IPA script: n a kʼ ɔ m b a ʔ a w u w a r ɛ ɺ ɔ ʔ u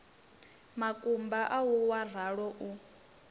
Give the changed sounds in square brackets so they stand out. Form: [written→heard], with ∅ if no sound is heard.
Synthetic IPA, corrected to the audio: [n→m] a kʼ [ɔ→u] m b a ʔ a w u w a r [ɛ→a] ɺ ɔ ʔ u